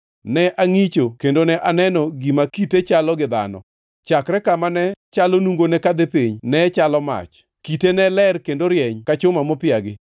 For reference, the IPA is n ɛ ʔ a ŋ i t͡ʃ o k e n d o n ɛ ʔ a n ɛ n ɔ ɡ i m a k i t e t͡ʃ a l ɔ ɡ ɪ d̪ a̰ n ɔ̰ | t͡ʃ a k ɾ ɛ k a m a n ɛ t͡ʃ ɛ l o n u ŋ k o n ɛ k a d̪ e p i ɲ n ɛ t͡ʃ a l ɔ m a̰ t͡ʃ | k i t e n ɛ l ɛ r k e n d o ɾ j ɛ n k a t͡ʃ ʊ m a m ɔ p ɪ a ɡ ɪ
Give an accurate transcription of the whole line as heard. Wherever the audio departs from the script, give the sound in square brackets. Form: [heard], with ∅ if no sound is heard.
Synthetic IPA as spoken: n ɛ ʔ a ŋ i t͡ʃ o k e n d o n ɛ ʔ a n ɛ n ɔ ɡ i m a k i t e t͡ʃ a l ɔ ɡ ɪ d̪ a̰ n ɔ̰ | t͡ʃ a k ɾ ɛ k a m a n ɛ t͡ʃ [a] l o n u ŋ [ɡ] o n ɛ k a d̪ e p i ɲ n ɛ t͡ʃ a l ɔ m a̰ t͡ʃ | k i t e n ɛ l ɛ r k e n d o ɾ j ɛ [ɲ] k a t͡ʃ ʊ m a m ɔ p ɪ a ɡ ɪ